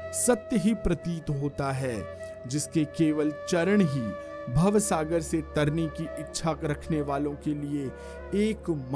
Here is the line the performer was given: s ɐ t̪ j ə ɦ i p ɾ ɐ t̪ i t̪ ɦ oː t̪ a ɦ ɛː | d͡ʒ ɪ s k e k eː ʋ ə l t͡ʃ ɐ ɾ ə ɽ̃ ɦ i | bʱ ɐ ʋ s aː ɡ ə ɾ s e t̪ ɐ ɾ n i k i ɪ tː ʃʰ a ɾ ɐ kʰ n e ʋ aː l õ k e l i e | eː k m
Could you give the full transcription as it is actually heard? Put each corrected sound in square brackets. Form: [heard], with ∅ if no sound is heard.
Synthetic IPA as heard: s ɐ t̪ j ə ɦ i p ɾ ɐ t̪ [iː] t̪ ɦ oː t̪ a ɦ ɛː | d͡ʒ ɪ s k e k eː ʋ ə l t͡ʃ ɐ ɾ ə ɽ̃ ɦ i | bʱ ɐ ʋ s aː ɡ ə ɾ s e t̪ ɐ ɾ n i k i ɪ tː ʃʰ a ɾ ɐ kʰ n e ʋ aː l õ k e l i e | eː k m